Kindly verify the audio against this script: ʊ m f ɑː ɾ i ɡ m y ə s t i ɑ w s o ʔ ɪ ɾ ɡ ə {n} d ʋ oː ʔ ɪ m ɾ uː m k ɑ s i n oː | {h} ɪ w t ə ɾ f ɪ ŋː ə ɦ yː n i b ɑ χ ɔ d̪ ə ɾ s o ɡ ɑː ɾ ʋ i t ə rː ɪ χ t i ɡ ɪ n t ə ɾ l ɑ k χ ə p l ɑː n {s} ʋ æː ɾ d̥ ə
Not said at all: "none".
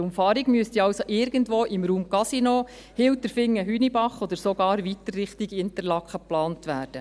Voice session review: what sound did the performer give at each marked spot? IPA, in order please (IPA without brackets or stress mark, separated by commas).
n, h, t